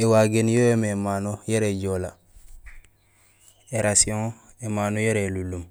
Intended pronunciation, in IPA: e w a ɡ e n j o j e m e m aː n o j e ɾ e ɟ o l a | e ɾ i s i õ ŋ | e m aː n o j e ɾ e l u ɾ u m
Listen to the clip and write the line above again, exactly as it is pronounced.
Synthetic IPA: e w a ɡ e n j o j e m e m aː n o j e ɾ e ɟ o l a | e ɾ a s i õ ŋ | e m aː n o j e ɾ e l u l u m

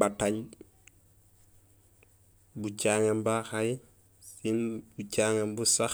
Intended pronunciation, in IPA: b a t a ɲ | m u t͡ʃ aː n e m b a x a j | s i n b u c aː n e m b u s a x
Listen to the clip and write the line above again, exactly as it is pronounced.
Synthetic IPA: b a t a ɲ | b u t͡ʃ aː ŋ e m b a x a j | s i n b u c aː ŋ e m b u s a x

